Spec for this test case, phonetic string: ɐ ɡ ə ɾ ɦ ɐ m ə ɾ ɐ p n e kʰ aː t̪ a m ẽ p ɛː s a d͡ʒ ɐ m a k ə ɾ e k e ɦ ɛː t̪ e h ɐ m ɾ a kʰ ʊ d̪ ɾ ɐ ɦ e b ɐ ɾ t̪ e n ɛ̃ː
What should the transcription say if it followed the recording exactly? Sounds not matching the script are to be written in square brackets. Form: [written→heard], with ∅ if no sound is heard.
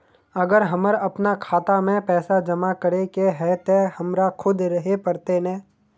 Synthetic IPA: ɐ ɡ ə ɾ ɦ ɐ m ə ɾ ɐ p n [e→a] kʰ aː t̪ a m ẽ p ɛː s a d͡ʒ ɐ m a k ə ɾ e k e ɦ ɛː t̪ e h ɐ m ɾ a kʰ ʊ d̪ ɾ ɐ ɦ e [b→p] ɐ ɾ t̪ e n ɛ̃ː

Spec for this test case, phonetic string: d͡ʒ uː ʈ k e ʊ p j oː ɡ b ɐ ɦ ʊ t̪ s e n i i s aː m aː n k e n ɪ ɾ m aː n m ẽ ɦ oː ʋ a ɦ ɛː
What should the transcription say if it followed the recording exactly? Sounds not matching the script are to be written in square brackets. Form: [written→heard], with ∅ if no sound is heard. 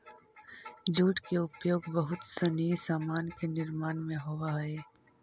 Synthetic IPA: d͡ʒ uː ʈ k e ʊ p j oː ɡ b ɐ ɦ ʊ t̪ s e n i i s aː m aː n k e n ɪ ɾ m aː n m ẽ ɦ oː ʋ a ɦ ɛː

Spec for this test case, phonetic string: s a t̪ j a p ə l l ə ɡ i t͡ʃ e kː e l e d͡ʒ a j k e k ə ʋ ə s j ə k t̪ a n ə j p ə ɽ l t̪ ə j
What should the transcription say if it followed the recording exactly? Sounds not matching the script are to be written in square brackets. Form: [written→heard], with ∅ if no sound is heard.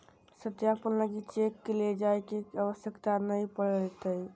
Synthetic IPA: s [a→ə] t̪ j a p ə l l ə ɡ i t͡ʃ e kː e l e d͡ʒ a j k e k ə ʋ ə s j ə k t̪ a n ə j p ə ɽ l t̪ ə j

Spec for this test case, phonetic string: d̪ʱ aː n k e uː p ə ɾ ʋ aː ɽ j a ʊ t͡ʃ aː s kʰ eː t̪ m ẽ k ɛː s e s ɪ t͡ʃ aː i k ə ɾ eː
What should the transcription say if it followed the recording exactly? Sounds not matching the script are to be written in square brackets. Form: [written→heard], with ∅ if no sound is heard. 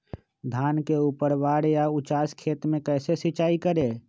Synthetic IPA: d̪ʱ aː n k e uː p ə ɾ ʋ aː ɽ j a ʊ t͡ʃ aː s kʰ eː t̪ m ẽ k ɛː s e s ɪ t͡ʃ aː i k ə ɾ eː

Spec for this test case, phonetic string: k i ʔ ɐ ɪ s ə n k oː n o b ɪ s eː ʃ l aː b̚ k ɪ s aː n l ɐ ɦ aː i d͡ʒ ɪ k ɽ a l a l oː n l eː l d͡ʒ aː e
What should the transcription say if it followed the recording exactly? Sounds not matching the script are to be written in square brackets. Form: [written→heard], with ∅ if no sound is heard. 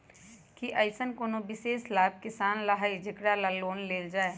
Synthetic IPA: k i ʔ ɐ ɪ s ə n k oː n o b ɪ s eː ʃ l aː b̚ k ɪ s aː n l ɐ ɦ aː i d͡ʒ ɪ k ɽ a l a l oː n l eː l d͡ʒ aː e

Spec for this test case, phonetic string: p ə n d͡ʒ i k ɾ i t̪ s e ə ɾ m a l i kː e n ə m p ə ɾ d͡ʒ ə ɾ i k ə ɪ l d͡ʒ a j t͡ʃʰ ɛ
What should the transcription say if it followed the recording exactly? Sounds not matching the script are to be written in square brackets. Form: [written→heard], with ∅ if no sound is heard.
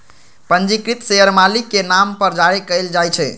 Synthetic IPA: p ə n d͡ʒ i k ɾ i t̪ s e ə ɾ m a l i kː e n [ə→a] m p ə ɾ d͡ʒ [ə→a] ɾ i k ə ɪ l d͡ʒ a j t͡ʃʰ ɛ

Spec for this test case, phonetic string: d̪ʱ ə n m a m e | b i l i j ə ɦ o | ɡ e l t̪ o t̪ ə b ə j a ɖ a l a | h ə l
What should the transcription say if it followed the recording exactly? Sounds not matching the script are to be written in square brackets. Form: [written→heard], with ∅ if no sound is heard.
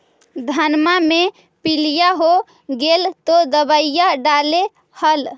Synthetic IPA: d̪ʱ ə n m a m e | [b→p] i l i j [ə→a] ɦ o | ɡ e l t̪ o [t̪→d̪] ə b ə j a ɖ a l [a→e] | h ə l

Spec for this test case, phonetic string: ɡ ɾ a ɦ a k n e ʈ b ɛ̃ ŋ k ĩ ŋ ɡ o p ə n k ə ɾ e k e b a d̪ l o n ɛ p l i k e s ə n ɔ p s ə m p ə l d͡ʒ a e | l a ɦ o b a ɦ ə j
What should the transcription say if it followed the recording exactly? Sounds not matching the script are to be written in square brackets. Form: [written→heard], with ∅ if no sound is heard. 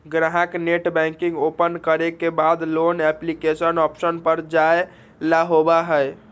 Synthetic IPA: ɡ ɾ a ɦ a k n e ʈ b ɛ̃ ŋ k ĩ ŋ ɡ o p ə n k ə ɾ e k e b a d̪ l o n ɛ p l i k e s ə n ɔ p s ə [m→n] p ə [l→ɾ] d͡ʒ a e | l a ɦ o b a ɦ ə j

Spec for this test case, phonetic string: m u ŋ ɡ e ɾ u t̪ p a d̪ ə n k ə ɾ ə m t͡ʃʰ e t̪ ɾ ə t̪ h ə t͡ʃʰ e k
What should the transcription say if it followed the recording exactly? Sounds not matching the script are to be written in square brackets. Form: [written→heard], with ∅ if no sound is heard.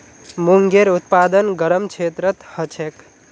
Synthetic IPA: m u ŋ ɡ e ɾ u t̪ p a d̪ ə n [k→ɡ] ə ɾ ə m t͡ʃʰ e t̪ ɾ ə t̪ h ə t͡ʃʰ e k

